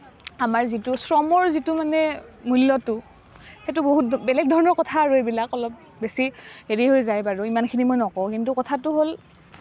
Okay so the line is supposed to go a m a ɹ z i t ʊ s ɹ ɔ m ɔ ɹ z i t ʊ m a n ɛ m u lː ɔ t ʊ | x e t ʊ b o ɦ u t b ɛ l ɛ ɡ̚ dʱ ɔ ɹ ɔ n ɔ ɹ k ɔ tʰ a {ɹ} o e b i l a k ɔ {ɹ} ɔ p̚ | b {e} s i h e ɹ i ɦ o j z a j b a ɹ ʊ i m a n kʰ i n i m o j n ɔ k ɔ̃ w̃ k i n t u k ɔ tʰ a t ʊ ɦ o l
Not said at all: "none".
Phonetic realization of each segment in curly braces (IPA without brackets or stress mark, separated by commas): ɹ, l, e